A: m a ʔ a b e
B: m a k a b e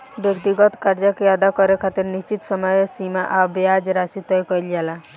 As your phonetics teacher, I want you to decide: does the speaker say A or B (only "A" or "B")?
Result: A